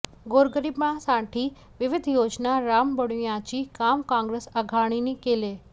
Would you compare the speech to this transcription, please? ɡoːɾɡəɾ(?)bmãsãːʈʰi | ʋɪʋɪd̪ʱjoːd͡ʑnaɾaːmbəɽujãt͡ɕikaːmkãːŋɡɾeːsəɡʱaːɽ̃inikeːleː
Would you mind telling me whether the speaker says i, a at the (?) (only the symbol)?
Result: i